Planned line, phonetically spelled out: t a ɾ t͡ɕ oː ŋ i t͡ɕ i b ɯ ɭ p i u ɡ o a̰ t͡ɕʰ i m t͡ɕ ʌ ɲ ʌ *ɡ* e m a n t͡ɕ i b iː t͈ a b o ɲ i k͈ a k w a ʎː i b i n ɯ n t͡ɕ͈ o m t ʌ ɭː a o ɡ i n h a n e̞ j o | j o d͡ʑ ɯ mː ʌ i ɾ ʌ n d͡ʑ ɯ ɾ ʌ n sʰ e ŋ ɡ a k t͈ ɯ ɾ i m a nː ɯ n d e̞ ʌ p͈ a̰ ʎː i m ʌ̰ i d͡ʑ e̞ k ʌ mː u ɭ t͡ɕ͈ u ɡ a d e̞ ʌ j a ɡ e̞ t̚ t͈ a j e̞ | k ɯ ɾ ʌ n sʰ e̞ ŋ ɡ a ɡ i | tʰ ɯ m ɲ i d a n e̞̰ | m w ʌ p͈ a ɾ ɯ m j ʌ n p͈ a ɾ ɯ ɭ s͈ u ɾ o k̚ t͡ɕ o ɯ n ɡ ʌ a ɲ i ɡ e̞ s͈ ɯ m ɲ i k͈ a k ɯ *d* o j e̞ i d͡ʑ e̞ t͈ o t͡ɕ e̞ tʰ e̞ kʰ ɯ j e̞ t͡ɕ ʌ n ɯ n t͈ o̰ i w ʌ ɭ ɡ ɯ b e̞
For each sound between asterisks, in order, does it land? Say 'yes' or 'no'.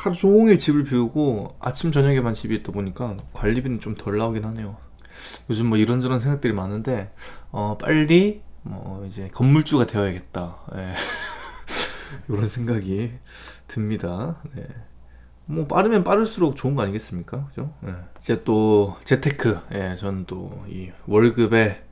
yes, no

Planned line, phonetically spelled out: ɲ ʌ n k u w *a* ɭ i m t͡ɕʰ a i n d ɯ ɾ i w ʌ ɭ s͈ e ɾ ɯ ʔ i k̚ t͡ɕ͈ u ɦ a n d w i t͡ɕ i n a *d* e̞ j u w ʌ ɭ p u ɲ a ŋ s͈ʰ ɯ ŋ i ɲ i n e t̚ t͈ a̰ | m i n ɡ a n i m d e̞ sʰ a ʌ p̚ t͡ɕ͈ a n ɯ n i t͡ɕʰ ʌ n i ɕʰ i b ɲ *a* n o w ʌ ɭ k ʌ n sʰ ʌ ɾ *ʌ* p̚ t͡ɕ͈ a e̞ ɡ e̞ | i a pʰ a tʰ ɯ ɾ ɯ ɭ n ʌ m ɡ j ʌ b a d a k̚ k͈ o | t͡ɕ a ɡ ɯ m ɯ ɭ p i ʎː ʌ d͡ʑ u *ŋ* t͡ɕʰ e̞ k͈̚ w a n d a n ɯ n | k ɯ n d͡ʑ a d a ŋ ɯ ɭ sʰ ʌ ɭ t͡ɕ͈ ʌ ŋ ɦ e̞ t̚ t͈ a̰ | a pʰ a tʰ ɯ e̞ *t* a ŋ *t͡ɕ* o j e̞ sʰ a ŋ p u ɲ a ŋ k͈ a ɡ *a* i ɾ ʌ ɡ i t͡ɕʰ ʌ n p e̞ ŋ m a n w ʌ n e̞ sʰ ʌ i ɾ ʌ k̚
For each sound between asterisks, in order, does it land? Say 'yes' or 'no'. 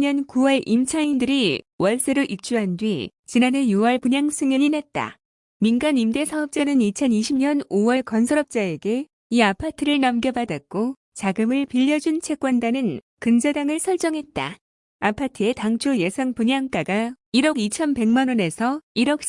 no, no, no, yes, no, yes, no, yes

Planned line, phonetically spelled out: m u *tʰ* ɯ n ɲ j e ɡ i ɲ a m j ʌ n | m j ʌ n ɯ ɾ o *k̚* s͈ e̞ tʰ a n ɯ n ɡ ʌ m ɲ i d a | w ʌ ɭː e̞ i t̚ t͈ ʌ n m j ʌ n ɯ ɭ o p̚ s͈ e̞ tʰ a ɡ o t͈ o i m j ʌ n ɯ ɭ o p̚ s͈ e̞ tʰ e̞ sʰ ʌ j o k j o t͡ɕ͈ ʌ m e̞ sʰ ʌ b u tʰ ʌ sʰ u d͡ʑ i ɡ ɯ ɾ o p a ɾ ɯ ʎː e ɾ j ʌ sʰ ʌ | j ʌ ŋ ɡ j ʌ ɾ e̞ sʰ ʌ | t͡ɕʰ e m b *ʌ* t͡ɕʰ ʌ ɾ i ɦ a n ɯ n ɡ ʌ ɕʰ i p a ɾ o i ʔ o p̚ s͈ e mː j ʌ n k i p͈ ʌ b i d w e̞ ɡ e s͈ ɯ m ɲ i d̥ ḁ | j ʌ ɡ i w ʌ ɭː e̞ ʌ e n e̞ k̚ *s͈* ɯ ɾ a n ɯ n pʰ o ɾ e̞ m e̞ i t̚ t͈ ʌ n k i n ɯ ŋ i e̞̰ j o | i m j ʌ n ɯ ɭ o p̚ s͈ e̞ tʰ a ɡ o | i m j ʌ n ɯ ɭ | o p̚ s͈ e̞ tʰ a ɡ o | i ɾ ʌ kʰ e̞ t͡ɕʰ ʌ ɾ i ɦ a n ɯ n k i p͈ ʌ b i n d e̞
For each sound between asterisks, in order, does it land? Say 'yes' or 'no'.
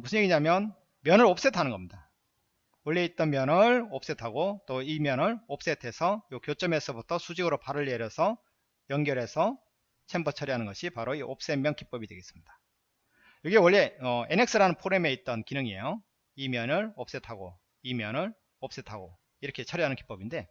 no, no, yes, yes

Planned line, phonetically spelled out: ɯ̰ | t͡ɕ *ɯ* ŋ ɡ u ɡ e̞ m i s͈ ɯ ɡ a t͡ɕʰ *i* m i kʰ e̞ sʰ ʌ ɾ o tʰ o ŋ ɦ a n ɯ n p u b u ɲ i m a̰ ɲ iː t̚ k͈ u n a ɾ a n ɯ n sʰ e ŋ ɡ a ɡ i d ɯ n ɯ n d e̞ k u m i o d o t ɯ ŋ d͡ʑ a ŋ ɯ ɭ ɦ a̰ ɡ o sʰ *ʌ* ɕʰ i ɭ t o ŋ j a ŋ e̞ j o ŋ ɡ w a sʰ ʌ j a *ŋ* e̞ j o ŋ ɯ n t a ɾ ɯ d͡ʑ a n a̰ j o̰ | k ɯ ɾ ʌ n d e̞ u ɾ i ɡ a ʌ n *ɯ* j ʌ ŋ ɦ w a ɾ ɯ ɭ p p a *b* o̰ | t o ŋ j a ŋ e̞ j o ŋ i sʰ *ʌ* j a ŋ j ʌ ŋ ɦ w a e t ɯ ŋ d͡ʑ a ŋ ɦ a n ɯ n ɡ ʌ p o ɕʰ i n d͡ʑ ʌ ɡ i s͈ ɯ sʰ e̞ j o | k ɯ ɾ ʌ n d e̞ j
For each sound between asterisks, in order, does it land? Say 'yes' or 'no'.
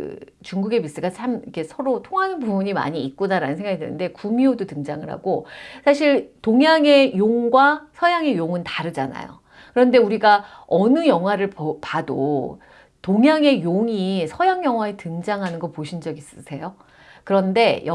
no, no, no, yes, yes, no, yes

